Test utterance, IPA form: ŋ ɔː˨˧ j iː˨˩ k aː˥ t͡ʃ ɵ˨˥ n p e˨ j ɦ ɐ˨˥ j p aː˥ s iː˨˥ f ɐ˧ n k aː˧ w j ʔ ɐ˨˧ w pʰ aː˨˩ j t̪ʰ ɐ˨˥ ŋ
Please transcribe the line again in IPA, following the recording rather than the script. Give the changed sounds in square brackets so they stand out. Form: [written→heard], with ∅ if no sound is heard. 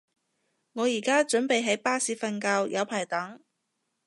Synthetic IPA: ŋ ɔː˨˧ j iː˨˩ k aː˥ t͡ʃ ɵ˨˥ n p e˨ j ɦ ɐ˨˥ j p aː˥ s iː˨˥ f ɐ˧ n k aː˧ w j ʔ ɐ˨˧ w pʰ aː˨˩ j [t̪ʰ→t̪] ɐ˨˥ ŋ